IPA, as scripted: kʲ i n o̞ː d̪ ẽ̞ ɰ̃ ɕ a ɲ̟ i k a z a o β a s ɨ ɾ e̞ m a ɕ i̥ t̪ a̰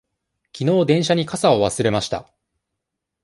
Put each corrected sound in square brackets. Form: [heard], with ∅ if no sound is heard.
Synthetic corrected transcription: kʲ i n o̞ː d̪ ẽ̞ ɰ̃ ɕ a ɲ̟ i k a [s] a o β a s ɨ ɾ e̞ m a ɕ i̥ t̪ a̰